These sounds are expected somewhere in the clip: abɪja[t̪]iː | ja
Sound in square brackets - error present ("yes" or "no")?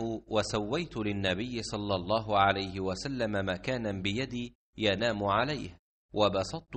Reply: yes